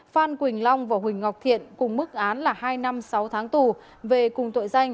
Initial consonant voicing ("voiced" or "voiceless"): voiceless